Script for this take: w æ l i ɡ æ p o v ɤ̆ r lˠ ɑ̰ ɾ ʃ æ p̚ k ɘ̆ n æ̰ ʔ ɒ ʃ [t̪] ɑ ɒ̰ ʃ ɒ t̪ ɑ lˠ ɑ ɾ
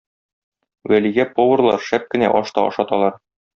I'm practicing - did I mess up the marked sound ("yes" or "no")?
no